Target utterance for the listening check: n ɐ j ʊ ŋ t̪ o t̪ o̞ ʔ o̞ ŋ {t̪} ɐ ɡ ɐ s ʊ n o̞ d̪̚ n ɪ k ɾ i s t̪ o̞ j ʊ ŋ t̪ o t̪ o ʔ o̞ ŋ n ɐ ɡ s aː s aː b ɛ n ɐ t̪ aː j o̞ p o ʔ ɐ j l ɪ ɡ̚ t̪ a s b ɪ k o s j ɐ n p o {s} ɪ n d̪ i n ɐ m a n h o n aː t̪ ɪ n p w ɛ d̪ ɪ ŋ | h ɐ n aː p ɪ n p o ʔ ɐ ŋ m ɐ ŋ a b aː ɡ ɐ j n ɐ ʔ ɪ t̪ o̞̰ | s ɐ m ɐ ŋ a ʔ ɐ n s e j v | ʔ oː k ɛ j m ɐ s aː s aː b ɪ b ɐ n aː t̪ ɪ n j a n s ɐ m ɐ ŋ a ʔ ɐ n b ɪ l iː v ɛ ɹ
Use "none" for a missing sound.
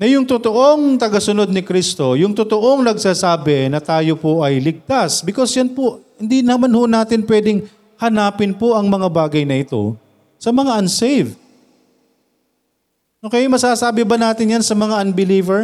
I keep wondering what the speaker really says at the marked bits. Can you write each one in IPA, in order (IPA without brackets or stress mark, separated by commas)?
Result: t̪, h